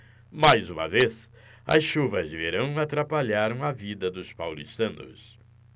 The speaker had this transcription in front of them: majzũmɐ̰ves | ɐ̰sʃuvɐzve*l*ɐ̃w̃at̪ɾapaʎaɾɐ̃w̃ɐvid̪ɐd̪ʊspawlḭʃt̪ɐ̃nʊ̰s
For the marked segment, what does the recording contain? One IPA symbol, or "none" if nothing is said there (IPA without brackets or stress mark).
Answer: ɾ